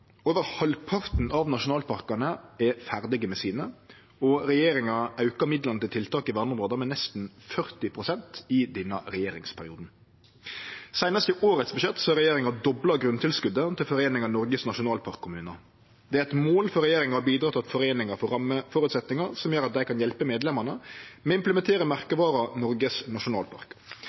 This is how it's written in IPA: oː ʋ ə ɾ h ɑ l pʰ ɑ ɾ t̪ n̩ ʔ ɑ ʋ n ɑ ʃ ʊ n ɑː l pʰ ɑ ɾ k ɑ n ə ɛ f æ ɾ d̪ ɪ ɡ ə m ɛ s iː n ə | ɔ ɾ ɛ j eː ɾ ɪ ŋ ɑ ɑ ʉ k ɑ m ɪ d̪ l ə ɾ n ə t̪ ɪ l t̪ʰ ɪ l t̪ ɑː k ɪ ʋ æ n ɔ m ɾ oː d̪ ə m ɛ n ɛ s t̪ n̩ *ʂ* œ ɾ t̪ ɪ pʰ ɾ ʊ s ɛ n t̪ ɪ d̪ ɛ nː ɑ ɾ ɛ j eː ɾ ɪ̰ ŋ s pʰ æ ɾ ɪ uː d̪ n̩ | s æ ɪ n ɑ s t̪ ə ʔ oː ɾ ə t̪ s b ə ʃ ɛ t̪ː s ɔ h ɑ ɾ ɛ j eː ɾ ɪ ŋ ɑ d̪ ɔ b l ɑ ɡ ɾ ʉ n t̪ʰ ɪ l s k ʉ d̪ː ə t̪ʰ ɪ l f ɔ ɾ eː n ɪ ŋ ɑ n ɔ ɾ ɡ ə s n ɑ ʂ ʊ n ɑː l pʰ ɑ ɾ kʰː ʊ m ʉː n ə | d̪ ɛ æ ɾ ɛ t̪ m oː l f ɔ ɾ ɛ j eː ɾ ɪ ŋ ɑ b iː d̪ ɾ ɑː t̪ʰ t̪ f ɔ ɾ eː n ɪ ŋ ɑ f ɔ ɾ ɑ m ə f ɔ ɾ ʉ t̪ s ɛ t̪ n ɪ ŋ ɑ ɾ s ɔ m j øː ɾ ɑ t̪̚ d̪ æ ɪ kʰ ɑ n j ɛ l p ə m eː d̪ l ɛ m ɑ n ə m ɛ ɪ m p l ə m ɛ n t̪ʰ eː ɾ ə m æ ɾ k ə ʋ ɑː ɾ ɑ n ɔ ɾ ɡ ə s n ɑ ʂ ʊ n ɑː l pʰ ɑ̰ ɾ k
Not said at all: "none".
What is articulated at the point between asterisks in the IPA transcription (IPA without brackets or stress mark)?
f